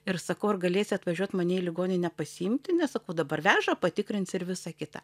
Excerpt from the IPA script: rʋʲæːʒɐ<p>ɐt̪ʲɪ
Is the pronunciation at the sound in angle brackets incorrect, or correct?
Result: correct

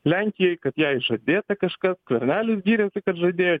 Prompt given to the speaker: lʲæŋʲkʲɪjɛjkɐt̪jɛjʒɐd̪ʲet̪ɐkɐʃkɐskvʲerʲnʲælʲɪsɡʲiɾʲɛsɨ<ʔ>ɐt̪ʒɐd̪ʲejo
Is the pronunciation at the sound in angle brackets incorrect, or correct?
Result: incorrect: k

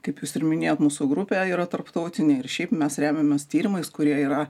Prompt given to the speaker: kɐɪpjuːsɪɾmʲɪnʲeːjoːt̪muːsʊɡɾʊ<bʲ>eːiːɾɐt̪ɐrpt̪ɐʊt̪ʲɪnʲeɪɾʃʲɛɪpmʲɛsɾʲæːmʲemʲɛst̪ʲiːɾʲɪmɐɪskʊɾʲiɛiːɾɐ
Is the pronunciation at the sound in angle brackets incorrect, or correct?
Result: incorrect: pʲ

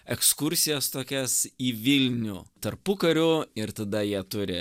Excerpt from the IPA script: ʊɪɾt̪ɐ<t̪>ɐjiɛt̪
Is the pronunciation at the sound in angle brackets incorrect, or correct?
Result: incorrect: d̪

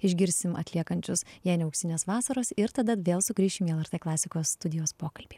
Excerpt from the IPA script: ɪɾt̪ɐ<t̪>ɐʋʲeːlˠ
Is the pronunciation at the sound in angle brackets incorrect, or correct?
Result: incorrect: d̪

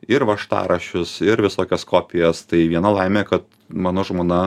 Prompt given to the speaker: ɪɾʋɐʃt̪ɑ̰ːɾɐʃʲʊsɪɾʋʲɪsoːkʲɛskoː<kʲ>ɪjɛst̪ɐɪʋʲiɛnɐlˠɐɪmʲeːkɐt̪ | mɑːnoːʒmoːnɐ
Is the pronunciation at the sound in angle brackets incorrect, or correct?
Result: incorrect: pʲ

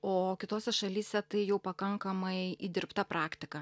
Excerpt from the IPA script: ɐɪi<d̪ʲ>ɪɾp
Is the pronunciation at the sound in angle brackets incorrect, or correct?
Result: correct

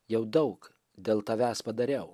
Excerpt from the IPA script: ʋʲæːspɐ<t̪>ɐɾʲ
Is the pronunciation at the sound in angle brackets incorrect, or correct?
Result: incorrect: d̪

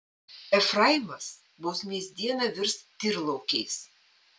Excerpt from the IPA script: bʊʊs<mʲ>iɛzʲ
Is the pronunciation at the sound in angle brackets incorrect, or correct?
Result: correct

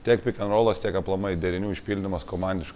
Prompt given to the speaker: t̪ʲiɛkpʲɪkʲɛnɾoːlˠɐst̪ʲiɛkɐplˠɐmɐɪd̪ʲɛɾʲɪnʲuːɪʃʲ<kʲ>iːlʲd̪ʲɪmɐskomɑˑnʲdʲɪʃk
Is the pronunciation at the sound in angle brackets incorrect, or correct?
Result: incorrect: pʲ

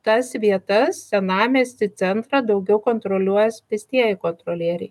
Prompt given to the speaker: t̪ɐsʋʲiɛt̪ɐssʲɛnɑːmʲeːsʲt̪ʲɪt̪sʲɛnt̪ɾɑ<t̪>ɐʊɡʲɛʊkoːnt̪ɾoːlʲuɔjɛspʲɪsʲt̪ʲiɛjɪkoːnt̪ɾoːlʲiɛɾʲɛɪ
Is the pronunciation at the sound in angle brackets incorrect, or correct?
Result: incorrect: d̪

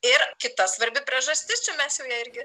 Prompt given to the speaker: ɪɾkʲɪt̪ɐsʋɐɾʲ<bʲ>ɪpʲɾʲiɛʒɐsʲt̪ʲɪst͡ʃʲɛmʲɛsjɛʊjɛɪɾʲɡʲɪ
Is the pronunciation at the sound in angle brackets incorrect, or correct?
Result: correct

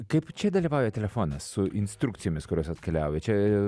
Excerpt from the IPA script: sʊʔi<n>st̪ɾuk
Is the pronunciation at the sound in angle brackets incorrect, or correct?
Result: correct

